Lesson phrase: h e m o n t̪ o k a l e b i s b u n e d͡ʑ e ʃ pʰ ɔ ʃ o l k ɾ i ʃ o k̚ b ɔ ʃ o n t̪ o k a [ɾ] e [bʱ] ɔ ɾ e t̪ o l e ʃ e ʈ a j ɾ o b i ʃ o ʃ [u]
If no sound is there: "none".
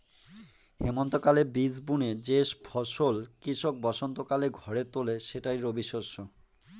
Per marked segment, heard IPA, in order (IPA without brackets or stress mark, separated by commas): l, ɡʱ, o